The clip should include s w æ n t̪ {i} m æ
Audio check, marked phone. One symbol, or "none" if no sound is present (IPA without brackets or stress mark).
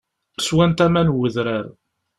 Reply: æ